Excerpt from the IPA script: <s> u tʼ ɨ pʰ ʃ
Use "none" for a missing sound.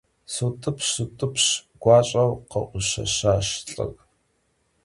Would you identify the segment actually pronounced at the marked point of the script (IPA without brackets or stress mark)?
s